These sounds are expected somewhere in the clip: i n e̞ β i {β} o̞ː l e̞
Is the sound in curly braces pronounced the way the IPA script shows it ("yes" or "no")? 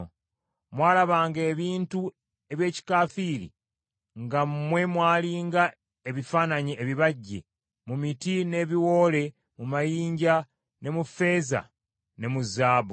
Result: no